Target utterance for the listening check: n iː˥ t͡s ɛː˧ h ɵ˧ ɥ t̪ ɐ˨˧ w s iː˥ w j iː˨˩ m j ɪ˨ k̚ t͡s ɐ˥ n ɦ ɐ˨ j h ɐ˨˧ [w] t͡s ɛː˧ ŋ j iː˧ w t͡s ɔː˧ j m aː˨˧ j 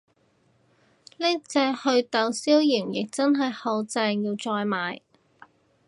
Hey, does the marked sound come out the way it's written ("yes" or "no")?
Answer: yes